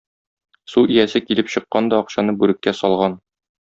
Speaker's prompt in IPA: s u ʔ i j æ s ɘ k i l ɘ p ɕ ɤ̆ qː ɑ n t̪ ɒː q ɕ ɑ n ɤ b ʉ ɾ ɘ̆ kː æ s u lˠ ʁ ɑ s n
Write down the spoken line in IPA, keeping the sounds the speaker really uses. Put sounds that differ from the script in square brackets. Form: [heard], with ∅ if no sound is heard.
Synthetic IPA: s u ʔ i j æ s ɘ k i l ɘ p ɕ ɤ̆ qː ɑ n [d̪] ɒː q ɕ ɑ n ɤ b ʉ ɾ ɘ̆ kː æ s [ɒ] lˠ ʁ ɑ [∅] n